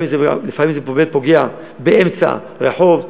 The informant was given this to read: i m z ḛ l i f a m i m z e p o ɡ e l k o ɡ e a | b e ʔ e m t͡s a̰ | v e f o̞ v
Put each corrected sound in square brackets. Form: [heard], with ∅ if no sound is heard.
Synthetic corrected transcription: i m z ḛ l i f a m i m z e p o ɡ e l [p] o ɡ e a | b e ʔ e m t͡s a̰ | [ʁ] e [ħ] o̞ v